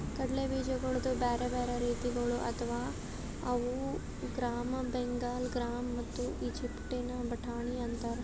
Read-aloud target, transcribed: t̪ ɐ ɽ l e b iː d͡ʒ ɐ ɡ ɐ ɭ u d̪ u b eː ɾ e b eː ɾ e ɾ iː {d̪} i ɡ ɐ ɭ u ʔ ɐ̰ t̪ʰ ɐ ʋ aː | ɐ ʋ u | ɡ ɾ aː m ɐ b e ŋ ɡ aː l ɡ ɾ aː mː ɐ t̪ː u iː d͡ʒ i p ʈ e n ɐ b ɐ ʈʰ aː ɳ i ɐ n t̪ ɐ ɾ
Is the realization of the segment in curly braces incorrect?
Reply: yes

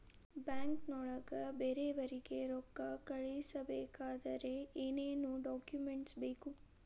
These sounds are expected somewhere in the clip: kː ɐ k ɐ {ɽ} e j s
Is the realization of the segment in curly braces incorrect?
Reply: yes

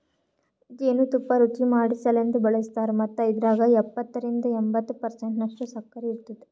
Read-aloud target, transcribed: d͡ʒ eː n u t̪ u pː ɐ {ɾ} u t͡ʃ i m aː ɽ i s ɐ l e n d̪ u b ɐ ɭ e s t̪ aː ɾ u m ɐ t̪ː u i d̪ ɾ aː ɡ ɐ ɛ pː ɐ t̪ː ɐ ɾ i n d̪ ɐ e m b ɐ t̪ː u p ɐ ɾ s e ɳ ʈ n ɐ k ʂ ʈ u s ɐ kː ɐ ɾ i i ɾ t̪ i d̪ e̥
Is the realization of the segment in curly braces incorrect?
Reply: no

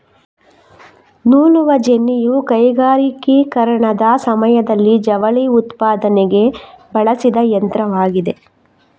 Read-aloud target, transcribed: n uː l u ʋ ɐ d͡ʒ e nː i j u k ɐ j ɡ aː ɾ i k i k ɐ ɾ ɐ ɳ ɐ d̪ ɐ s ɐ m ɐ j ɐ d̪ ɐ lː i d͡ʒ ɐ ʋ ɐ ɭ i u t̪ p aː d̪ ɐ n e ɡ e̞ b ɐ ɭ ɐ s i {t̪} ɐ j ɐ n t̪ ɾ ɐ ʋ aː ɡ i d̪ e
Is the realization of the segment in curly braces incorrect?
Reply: yes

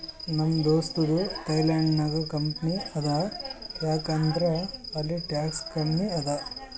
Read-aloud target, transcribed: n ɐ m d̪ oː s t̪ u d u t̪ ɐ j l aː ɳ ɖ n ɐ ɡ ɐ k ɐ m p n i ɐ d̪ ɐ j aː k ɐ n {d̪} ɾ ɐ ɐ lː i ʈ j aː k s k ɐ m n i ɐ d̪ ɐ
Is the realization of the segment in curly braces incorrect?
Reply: no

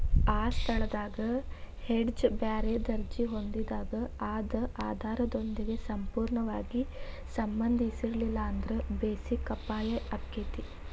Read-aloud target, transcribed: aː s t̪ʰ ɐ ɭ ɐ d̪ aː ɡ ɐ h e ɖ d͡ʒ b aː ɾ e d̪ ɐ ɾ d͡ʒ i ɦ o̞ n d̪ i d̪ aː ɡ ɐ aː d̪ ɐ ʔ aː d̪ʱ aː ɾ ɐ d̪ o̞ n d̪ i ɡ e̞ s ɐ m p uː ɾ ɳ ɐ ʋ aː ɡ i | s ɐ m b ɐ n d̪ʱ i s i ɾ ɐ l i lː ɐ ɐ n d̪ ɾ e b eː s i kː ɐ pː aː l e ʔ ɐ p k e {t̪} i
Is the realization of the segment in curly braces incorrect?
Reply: no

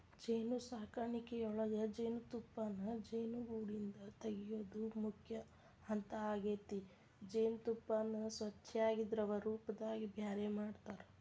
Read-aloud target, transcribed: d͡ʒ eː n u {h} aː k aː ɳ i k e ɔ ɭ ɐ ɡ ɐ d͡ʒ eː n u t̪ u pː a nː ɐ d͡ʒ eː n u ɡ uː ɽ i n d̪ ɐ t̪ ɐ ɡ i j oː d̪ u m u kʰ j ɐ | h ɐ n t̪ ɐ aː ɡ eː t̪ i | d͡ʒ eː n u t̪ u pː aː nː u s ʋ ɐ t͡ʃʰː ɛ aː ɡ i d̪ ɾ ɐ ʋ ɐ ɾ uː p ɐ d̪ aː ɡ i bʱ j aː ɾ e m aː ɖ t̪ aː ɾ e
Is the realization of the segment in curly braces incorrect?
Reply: yes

